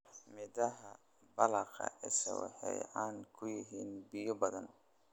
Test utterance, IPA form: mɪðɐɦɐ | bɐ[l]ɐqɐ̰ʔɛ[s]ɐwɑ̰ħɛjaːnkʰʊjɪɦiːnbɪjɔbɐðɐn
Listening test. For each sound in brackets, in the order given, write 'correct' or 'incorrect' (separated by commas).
correct, correct